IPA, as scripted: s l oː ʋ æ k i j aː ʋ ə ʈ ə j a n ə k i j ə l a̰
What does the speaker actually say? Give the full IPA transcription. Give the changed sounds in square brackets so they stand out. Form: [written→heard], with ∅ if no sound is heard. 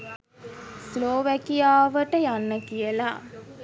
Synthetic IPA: s l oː ʋ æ k i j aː ʋ ə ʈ ə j a [n→nː] ə k i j ə l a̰